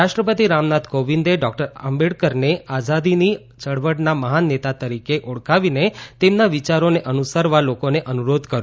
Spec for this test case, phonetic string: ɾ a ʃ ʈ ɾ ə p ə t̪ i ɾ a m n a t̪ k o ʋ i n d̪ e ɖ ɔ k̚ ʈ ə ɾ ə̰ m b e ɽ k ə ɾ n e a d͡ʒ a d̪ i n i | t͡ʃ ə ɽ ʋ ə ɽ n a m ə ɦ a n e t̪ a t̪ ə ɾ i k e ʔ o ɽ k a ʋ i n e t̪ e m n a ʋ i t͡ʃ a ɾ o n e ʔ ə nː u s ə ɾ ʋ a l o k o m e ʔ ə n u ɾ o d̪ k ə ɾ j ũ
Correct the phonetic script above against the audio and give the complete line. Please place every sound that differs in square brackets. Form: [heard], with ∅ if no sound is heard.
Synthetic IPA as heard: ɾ a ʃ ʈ ɾ ə p ə t̪ i ɾ a m n a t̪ k o ʋ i n d̪ e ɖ ɔ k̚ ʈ ə ɾ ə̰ m b e ɽ k ə ɾ n e a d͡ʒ a d̪ i n i | t͡ʃ ə ɽ ʋ ə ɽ n a m ə ɦ a n e t̪ a t̪ ə ɾ i k e ʔ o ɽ k a ʋ i n e t̪ e m n a ʋ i t͡ʃ a ɾ o n e ʔ ə [n] u s ə ɾ ʋ a l o k o [n] e ʔ ə n u ɾ o d̪ k ə ɾ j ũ